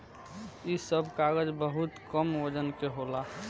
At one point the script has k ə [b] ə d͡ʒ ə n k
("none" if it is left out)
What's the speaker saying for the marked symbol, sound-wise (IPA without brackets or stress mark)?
m